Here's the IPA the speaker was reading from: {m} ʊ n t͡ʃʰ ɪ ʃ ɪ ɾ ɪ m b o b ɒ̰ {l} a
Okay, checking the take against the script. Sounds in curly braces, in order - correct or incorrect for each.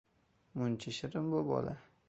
correct, correct

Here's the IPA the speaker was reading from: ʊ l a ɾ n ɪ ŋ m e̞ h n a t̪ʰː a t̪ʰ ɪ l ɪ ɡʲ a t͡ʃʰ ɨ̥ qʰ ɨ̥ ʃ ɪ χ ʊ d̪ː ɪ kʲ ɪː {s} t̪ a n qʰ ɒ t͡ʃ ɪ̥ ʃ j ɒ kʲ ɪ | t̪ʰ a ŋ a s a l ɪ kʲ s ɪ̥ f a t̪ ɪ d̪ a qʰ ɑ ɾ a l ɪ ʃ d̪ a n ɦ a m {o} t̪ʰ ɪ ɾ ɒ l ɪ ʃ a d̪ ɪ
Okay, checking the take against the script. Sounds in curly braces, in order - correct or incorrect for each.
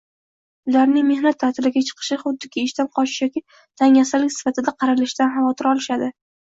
incorrect, incorrect

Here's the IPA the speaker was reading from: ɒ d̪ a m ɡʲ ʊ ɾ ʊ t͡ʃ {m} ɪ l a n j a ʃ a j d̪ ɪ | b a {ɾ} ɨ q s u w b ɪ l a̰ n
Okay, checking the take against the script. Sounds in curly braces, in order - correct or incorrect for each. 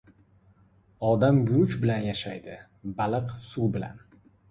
incorrect, incorrect

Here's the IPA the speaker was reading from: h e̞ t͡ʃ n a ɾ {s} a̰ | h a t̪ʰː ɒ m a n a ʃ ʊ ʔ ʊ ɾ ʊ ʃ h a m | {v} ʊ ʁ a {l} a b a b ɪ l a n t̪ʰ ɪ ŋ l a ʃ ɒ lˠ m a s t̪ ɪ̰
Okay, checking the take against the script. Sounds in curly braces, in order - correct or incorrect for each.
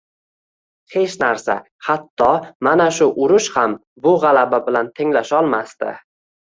correct, incorrect, correct

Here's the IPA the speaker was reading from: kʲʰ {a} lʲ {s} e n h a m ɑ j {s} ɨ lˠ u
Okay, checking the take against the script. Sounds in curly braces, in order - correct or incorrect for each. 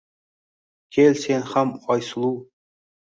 incorrect, correct, correct

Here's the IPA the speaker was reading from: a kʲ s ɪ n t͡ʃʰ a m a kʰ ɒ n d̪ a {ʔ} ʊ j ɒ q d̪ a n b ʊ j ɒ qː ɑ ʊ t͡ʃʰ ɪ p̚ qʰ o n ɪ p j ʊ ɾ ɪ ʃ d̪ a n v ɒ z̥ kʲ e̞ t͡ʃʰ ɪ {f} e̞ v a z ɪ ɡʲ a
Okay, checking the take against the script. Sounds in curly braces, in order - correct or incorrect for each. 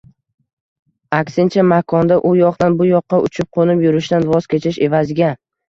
correct, incorrect

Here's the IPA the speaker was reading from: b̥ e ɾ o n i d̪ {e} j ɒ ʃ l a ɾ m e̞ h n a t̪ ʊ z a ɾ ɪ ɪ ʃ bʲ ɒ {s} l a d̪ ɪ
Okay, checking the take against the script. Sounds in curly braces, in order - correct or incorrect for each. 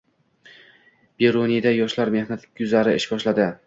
incorrect, incorrect

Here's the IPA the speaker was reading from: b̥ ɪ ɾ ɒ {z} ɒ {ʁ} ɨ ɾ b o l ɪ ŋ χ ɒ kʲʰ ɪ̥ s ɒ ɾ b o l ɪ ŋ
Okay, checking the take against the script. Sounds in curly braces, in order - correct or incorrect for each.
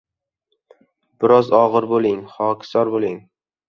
correct, correct

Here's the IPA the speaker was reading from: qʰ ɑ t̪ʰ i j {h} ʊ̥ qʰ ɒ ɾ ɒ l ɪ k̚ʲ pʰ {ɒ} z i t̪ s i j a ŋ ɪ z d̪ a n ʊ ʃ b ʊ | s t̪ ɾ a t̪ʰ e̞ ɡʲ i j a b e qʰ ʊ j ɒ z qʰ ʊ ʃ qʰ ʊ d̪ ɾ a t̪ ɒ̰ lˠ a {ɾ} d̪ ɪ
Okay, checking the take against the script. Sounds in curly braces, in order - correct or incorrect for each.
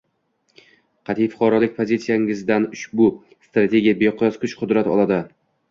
incorrect, incorrect, incorrect

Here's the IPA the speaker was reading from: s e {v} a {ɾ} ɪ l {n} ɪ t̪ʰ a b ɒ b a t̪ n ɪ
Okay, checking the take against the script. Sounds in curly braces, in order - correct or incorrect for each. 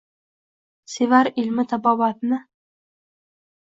correct, correct, incorrect

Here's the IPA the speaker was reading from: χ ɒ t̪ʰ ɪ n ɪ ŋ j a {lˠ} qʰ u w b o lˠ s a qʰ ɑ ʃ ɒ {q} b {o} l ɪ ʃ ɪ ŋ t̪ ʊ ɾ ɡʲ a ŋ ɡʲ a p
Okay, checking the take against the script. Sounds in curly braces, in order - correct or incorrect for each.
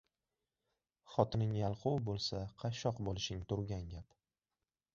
correct, correct, correct

